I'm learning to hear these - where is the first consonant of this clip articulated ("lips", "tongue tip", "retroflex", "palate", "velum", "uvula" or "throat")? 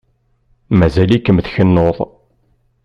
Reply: lips